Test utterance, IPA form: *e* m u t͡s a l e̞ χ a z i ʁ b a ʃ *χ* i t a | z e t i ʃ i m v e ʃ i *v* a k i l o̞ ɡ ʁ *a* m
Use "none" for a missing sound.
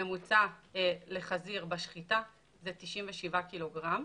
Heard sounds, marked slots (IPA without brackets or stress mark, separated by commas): e, χ, v, a